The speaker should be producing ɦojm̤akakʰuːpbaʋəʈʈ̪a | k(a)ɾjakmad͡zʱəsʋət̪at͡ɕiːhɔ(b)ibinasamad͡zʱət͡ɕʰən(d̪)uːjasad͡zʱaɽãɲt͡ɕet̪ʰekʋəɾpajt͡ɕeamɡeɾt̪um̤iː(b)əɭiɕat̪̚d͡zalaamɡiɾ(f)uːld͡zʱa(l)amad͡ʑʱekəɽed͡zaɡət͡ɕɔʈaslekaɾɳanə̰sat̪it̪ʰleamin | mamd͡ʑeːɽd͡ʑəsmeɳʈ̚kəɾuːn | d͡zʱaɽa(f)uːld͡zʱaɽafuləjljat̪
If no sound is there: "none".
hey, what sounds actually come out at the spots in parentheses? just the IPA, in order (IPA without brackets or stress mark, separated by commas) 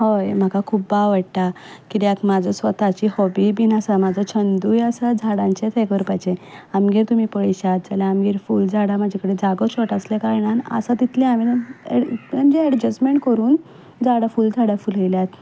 i, b, d̪, p, f, ɽ, f